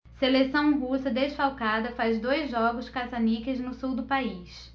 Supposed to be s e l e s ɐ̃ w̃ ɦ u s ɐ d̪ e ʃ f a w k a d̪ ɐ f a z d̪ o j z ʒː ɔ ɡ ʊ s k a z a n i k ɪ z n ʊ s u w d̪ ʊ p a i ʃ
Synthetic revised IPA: s e l e s ɐ̃ w̃ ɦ u s ɐ d̪ e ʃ f a w k a d̪ ɐ f a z d̪ o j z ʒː ɔ ɡ ʊ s k a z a n i k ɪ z n ʊ s u w d̪ ʊ p a i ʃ